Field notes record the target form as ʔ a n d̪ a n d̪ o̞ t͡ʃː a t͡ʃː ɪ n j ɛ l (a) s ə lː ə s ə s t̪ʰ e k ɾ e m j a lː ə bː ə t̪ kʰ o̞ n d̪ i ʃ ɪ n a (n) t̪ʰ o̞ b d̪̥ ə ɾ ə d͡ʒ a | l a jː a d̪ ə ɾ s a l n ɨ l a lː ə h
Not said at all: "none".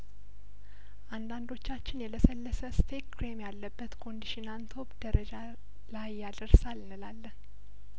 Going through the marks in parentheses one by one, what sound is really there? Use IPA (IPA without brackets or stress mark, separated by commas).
ə, n